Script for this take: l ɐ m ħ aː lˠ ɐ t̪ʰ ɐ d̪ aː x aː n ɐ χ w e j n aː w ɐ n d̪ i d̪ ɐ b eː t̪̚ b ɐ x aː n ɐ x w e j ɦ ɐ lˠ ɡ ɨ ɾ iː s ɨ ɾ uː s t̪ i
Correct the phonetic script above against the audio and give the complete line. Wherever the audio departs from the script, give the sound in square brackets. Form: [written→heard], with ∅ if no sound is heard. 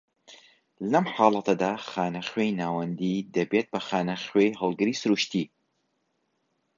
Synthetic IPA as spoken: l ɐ m ħ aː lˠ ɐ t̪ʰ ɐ d̪ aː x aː n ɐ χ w e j n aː w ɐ n d̪ i d̪ ɐ b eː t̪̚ b ɐ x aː n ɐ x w e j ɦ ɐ lˠ ɡ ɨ ɾ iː s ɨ ɾ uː [s→ʃ] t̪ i